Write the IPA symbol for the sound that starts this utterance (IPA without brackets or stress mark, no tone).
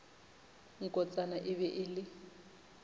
ŋ̩